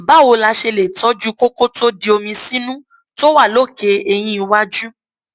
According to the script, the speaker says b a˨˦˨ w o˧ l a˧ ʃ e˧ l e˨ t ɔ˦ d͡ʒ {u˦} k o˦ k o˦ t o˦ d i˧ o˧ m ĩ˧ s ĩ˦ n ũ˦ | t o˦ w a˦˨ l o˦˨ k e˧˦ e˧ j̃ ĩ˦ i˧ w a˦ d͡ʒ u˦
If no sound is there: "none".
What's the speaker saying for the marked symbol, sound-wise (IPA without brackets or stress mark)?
u˦